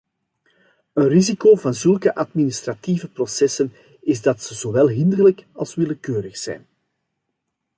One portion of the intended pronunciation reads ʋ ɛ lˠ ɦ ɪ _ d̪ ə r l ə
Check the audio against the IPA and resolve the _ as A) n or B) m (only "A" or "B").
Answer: A